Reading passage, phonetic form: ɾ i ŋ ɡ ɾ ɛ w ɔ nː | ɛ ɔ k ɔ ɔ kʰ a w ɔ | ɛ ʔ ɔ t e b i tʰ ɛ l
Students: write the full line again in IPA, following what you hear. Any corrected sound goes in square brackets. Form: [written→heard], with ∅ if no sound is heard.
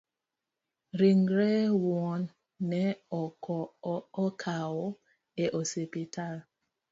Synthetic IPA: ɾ i ŋ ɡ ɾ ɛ w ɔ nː | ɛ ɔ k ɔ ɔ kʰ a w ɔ | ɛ ʔ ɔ [t→s] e [b→p] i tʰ [ɛ→a] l